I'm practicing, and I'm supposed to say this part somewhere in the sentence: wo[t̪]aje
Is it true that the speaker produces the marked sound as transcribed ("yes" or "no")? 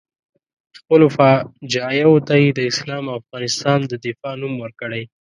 yes